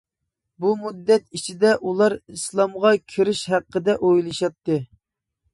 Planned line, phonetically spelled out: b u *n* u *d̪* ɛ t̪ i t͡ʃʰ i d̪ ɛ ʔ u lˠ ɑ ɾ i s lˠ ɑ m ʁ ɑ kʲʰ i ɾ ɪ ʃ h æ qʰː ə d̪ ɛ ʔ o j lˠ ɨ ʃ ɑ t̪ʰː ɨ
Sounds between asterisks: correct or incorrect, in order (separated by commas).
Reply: incorrect, incorrect